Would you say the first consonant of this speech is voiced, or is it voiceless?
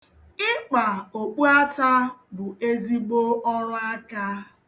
voiceless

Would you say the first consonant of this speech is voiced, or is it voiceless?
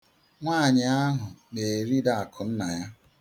voiced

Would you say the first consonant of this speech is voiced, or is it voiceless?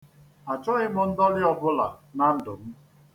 voiceless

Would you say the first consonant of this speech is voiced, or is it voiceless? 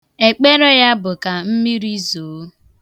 voiceless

